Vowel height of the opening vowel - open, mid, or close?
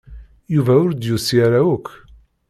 close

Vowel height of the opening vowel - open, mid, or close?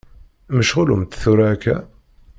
mid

